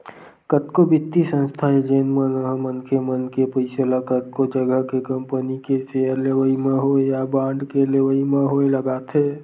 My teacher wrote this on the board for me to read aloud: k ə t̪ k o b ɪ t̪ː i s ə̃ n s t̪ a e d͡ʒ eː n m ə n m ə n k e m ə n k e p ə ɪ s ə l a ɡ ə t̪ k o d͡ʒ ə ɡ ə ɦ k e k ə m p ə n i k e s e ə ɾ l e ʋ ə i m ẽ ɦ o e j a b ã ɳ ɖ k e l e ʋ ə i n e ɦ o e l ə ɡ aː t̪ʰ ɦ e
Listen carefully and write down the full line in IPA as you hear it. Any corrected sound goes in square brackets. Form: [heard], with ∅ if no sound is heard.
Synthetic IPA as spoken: k ə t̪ k o b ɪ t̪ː i s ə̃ n s [t̪ʰ] a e d͡ʒ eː n m ə n m ə n k e m ə n k e p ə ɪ s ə l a [k] ə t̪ k o d͡ʒ ə ɡ ə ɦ k e k ə m p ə n i k e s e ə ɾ l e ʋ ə i m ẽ ɦ o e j a b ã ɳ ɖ k e l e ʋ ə i [m] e ɦ o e l ə ɡ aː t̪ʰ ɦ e